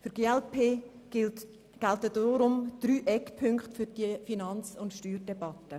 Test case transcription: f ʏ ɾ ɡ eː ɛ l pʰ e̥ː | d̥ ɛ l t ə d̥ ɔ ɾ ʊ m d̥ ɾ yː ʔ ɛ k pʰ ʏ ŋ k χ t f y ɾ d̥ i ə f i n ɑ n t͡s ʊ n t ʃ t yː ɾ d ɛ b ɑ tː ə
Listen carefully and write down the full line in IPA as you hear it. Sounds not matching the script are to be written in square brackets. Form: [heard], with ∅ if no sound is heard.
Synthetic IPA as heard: f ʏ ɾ ɡ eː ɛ l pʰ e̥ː | [ɡ̥] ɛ l t ə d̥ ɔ ɾ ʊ m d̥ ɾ yː ʔ ɛ k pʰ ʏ ŋ k χ t f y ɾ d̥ i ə f i n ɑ n t͡s ʊ n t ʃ t yː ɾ d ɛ b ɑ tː ə